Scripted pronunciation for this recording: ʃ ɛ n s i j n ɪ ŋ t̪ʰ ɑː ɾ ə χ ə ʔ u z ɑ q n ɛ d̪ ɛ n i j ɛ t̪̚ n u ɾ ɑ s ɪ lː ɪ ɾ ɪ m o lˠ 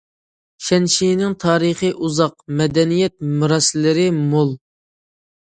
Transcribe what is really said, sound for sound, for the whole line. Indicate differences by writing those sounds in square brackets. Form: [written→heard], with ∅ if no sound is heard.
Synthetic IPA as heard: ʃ ɛ n [s→ʃ] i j n ɪ ŋ t̪ʰ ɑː ɾ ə χ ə ʔ u z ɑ q [n→m] ɛ d̪ ɛ n i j ɛ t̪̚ [n→m] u ɾ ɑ s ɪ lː ɪ ɾ ɪ m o lˠ

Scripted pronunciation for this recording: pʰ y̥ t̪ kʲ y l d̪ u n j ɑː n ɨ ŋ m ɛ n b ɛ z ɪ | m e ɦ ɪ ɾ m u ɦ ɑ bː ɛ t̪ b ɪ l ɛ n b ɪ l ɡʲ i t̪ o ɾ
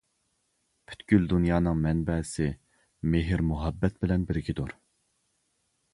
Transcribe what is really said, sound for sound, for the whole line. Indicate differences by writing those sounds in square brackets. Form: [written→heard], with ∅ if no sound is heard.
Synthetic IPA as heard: pʰ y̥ t̪ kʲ y l d̪ u n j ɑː n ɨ ŋ m ɛ n b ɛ [z→s] ɪ | m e ɦ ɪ ɾ m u ɦ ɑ bː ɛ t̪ b ɪ l ɛ n b ɪ [l→ɾ] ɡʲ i [t̪→d̪] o ɾ

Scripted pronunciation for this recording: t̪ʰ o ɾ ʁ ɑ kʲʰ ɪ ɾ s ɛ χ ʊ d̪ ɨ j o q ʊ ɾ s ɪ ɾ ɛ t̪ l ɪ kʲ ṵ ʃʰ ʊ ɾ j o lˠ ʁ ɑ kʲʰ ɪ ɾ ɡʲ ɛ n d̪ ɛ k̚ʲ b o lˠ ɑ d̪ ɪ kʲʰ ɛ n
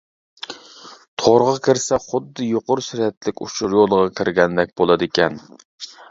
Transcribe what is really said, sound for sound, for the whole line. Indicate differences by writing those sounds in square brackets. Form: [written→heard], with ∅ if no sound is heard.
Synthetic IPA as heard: t̪ʰ o ɾ ʁ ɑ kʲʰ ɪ ɾ s ɛ χ ʊ [d̪→d̪ː] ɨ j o q ʊ ɾ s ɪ ɾ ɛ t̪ l ɪ kʲ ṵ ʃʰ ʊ ɾ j o lˠ ʁ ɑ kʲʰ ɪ ɾ ɡʲ ɛ n d̪ ɛ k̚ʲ b o lˠ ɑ d̪ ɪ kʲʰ ɛ n

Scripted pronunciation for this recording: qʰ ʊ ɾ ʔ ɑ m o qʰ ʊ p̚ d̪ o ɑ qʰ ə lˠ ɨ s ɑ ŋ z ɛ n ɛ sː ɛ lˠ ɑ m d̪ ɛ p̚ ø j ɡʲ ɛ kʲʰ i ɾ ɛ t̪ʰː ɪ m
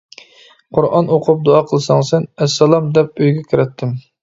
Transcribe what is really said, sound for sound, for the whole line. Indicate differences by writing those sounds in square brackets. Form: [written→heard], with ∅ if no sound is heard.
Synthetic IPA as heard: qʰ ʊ ɾ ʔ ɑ [m→n] o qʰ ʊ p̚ d̪ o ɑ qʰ ə lˠ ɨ s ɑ ŋ [z→s] ɛ n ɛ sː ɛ lˠ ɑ m d̪ ɛ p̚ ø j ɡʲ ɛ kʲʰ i ɾ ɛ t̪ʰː ɪ m

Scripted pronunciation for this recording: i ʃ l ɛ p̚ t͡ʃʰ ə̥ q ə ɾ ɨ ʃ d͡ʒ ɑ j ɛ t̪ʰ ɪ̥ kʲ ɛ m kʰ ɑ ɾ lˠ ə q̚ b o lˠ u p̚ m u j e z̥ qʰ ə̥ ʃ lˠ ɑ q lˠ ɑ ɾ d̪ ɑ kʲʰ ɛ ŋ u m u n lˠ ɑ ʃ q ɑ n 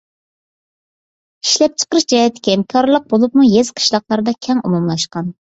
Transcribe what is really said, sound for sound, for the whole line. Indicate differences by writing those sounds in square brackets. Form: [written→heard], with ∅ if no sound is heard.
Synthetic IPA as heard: i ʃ l ɛ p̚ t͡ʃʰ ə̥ q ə ɾ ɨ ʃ d͡ʒ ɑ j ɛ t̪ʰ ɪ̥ kʲ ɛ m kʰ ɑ ɾ lˠ ə q̚ b o lˠ u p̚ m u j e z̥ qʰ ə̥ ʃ lˠ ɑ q lˠ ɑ ɾ d̪ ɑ kʲʰ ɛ ŋ u m u [n→m] lˠ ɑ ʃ q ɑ n

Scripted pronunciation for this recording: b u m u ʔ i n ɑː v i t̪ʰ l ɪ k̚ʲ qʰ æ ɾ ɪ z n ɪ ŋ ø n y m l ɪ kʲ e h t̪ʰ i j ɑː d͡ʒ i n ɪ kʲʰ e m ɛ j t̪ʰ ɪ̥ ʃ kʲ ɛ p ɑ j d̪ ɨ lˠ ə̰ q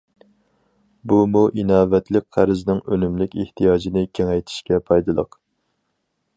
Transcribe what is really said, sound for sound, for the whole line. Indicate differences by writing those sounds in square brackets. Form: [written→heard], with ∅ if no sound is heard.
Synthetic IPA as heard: b u m u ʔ i n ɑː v [i→ɛ] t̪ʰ l ɪ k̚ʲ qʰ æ ɾ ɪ z n ɪ ŋ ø n y m l ɪ kʲ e h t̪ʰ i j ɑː d͡ʒ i n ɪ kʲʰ e [m→ŋ] ɛ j t̪ʰ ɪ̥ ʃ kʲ ɛ [p→pʰ] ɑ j d̪ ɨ lˠ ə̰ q

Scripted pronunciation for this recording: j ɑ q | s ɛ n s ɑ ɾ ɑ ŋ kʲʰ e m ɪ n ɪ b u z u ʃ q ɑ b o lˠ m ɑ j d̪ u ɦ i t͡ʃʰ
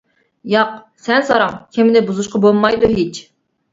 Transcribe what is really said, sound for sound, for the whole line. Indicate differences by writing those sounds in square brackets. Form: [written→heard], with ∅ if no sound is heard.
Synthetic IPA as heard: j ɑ q | s ɛ n s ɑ ɾ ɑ ŋ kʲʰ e m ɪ n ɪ b u z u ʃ q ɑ b o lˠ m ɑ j d̪ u ɦ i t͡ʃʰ

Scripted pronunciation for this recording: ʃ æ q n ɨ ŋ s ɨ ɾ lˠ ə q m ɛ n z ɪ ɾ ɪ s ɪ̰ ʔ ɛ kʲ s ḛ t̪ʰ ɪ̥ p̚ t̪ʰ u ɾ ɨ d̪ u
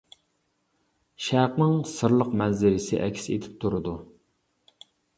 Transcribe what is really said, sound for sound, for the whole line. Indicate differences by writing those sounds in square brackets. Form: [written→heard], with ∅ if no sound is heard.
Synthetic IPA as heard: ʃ æ q n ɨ ŋ s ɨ ɾ lˠ ə q m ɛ n z ɪ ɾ ɪ s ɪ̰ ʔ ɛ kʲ s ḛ t̪ʰ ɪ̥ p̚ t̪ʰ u ɾ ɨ d̪ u

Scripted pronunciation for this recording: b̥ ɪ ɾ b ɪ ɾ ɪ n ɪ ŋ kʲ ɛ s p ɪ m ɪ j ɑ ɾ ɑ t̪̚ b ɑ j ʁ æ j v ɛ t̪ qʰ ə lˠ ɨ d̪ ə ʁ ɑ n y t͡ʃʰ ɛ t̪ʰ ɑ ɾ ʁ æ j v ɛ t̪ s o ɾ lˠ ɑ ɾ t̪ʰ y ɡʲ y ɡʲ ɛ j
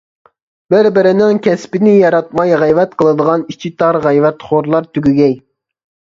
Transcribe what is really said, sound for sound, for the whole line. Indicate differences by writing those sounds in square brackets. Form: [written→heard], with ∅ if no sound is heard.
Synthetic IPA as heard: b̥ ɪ ɾ b ɪ ɾ ɪ n ɪ ŋ kʲ ɛ s p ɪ [m→n] ɪ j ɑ ɾ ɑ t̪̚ [b→m] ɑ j ʁ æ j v ɛ t̪ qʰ ə lˠ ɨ d̪ ə ʁ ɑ n [y→i] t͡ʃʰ [ɛ→i] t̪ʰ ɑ ɾ ʁ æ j v ɛ t̪ [s→χ] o ɾ lˠ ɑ ɾ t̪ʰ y ɡʲ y ɡʲ ɛ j

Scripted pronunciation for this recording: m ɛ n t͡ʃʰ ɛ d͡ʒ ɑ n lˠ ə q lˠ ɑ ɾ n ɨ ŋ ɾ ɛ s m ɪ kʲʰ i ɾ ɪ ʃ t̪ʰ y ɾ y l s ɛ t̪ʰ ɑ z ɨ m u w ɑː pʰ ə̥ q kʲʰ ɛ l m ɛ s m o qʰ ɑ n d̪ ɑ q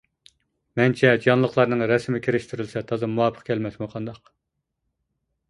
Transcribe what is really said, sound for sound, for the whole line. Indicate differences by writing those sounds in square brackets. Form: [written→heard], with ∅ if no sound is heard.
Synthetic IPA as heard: m ɛ n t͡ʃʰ ɛ d͡ʒ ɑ n lˠ ə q lˠ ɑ ɾ n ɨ ŋ ɾ ɛ s m ɪ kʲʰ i ɾ ɪ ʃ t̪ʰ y ɾ y l s ɛ t̪ʰ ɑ z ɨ m u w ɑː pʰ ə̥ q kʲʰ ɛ l m ɛ s m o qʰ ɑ n d̪ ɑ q

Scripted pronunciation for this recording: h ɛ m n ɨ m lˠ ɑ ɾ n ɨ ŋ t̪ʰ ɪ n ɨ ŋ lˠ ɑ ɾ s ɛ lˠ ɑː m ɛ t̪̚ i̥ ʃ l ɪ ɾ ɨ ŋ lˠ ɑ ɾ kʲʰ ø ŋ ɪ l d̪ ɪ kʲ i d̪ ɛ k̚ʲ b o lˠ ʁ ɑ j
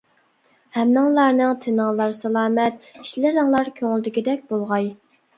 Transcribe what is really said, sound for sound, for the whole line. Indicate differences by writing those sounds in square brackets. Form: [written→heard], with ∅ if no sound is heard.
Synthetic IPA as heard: h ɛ m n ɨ [m→ŋ] lˠ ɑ ɾ n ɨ ŋ t̪ʰ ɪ n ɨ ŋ lˠ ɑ ɾ s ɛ lˠ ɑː m ɛ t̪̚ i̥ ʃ l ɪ ɾ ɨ ŋ lˠ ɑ ɾ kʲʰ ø ŋ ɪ l d̪ ɪ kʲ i d̪ ɛ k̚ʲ b o lˠ ʁ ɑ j

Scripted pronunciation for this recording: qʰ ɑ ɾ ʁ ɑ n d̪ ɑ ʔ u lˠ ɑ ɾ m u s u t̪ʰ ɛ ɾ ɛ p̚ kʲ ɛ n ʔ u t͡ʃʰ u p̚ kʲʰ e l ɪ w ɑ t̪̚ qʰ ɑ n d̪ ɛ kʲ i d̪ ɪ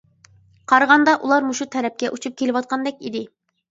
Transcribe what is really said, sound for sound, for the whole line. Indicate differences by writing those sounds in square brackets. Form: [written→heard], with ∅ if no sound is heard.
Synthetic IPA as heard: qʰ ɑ ɾ ʁ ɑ n d̪ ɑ ʔ u lˠ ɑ ɾ m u [s→ʃ] u t̪ʰ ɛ ɾ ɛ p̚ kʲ ɛ [n→∅] ʔ u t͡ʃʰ u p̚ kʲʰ e l ɪ w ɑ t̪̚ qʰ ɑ n d̪ ɛ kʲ i d̪ ɪ

